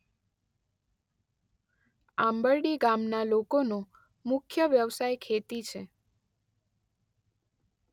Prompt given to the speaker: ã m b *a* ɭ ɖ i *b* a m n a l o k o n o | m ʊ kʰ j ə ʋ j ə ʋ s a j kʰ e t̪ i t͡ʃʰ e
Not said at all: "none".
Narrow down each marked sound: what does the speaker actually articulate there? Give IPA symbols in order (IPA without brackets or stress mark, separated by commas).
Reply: ə, ɡ